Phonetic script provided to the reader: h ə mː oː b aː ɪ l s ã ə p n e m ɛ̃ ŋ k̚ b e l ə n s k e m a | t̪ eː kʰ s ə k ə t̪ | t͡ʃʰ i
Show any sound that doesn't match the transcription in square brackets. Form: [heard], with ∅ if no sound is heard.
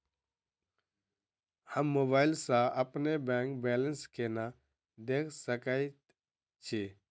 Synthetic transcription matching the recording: h ə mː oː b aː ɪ l s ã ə p n e [b] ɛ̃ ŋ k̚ b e l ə n s k e [n] a | [d̪] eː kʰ s ə k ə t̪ | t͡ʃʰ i